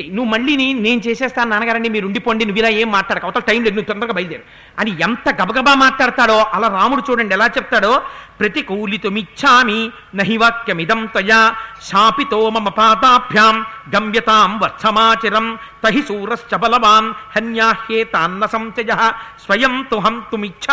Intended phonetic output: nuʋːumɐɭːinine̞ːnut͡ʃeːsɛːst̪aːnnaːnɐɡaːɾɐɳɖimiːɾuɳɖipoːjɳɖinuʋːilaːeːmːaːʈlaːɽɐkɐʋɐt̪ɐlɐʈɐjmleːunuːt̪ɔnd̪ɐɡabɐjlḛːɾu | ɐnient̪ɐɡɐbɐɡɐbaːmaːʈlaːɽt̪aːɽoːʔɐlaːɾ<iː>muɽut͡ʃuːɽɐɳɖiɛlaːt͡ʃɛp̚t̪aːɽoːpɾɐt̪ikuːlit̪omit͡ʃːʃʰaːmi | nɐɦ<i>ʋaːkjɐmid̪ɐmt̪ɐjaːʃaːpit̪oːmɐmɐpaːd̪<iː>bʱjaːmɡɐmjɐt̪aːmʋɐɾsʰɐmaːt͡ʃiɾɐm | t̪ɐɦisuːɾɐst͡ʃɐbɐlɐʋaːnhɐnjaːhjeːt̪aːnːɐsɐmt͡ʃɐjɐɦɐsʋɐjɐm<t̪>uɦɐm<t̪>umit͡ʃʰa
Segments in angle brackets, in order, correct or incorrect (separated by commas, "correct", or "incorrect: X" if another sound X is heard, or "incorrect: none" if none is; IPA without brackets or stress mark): incorrect: aː, correct, incorrect: aː, correct, correct